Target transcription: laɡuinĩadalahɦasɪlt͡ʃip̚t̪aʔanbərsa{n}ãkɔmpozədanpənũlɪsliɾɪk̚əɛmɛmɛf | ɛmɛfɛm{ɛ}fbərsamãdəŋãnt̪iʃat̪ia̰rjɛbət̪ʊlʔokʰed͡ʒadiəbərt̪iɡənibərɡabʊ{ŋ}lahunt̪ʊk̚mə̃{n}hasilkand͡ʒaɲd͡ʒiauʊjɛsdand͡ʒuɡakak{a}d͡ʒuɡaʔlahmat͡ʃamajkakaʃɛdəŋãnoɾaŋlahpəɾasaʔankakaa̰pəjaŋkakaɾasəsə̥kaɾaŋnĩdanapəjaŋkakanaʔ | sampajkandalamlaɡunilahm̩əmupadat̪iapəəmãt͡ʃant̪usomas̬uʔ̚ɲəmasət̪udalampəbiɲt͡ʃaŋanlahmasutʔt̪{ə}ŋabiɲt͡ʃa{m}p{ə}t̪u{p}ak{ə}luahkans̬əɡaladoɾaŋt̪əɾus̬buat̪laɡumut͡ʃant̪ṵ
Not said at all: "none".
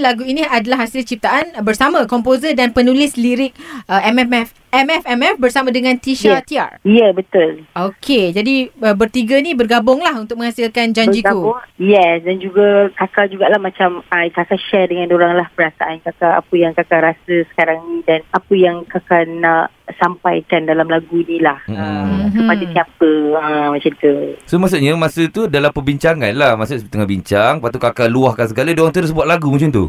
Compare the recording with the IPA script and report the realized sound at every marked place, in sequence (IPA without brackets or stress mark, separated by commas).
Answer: m, ɛ, ŋ, ŋ, a, ə, ŋ, a, k, a